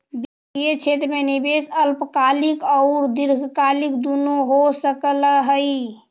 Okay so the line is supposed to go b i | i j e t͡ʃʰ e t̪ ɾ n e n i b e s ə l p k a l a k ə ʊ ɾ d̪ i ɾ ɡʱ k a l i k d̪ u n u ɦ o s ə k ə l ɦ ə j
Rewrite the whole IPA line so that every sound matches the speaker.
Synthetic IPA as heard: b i | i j e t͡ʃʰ e t̪ ɾ m e n i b e s ə l p k a l i k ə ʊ ɾ d̪ i ɾ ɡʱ k a l i k d̪ u n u ɦ o s ə k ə l ɦ ə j